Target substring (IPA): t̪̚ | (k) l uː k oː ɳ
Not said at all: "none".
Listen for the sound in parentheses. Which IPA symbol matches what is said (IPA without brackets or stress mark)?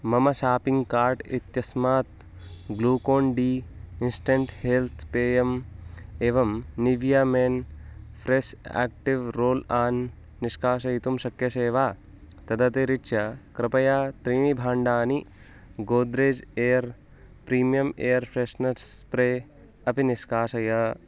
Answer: ɡ